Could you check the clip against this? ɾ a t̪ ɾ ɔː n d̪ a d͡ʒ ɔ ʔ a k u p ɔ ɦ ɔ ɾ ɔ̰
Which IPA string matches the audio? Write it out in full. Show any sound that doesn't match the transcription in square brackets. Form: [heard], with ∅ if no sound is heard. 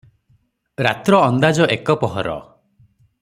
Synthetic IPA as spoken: ɾ a t̪ ɾ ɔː n d̪ a d͡ʒ ɔ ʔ [e] k [ɔ] p ɔ ɦ ɔ ɾ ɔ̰

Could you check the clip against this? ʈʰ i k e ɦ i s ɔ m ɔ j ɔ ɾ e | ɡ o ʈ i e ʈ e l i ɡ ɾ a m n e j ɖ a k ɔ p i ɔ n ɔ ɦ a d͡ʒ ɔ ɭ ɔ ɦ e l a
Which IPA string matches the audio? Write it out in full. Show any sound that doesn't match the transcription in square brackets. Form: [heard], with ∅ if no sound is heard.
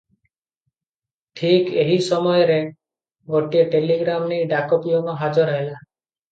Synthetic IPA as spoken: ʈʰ i k e ɦ i s ɔ m ɔ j ɔ ɾ e | ɡ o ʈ i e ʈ e l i ɡ ɾ a m n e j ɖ a k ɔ p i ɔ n ɔ ɦ a d͡ʒ ɔ [ɾ] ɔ ɦ e l a

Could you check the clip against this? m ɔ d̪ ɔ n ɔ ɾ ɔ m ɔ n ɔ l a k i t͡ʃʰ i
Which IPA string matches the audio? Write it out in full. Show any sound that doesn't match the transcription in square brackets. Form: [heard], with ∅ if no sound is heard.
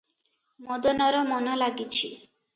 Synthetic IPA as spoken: m ɔ d̪ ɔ n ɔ ɾ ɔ m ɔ n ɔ l a [ɡ] i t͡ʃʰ i

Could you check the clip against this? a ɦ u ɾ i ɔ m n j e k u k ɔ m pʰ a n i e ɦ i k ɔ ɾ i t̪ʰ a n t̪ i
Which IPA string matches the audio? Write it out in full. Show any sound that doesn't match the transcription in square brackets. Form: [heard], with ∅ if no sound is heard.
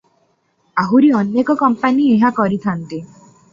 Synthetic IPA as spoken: a ɦ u ɾ i ɔ [∅] n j e k [ɔ] k ɔ m [p] a n i e ɦ [a] k ɔ ɾ i t̪ʰ a n t̪ i

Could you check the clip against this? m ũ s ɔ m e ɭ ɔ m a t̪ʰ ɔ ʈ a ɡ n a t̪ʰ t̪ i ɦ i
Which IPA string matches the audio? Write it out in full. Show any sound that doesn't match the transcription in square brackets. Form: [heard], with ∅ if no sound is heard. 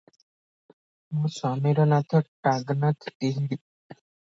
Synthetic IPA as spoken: m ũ s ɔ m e [ɾ] ɔ [n] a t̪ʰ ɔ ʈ a ɡ n a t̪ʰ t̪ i ɦ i

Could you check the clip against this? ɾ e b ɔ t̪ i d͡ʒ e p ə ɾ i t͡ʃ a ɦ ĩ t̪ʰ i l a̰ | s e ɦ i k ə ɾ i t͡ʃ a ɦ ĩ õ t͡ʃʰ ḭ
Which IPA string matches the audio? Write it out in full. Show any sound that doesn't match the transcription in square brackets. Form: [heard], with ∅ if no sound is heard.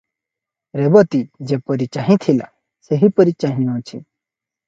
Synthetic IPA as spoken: ɾ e b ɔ t̪ i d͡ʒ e p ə ɾ i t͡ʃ a ɦ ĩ t̪ʰ i l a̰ | s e ɦ i [p] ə ɾ i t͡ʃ a ɦ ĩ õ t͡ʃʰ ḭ

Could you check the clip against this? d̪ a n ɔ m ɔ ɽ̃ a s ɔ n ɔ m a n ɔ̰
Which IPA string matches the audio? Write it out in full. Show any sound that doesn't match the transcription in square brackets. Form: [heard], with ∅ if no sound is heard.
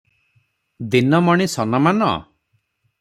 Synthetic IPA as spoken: d̪ [i] n ɔ m ɔ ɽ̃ [i] s ɔ n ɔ m a n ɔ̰

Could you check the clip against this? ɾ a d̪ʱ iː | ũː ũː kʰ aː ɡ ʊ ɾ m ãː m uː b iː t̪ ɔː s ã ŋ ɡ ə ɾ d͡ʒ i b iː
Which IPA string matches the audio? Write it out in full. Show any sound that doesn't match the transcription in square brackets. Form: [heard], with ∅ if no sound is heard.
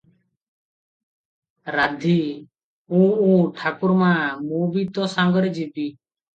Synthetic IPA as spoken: ɾ a d̪ʱ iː | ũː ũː [ʈʰ] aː [k] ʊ ɾ m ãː m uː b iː t̪ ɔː s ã ŋ ɡ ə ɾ d͡ʒ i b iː

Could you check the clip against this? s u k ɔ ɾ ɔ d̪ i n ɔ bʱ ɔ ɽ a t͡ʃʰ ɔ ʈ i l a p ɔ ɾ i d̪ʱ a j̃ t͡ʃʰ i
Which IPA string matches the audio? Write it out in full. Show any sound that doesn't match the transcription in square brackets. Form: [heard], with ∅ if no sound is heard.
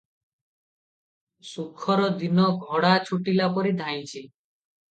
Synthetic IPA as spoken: s u [kʰ] ɔ ɾ ɔ d̪ i n ɔ [ɡʱ] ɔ ɽ a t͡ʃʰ [u] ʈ i l a p ɔ ɾ i d̪ʱ a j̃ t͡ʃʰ i

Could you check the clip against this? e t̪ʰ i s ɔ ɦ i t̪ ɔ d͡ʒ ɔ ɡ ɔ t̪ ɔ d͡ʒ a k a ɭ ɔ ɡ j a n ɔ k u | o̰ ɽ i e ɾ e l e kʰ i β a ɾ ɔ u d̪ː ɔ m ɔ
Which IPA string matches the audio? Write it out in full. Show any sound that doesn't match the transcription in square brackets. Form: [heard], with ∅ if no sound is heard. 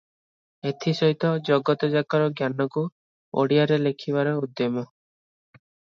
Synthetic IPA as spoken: e t̪ʰ i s ɔ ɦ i t̪ ɔ d͡ʒ ɔ ɡ ɔ t̪ ɔ d͡ʒ a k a [ɾ] ɔ ɡ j a n ɔ k u | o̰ ɽ i [a] ɾ e l e kʰ i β a ɾ ɔ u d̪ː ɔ m ɔ

